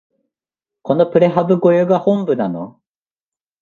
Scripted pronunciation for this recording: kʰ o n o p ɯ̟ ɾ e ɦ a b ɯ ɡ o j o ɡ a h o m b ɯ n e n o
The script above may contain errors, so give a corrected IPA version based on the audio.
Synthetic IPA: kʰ o n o p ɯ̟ ɾ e ɦ a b ɯ ɡ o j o ɡ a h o m b ɯ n a n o